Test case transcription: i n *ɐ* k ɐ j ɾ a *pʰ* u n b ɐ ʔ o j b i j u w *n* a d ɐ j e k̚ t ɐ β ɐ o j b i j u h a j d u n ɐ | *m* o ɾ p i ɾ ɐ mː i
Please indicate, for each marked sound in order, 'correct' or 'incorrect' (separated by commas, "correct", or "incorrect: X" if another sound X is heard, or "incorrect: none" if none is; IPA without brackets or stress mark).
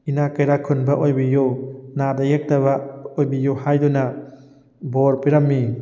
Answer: incorrect: a, incorrect: kʰ, correct, incorrect: b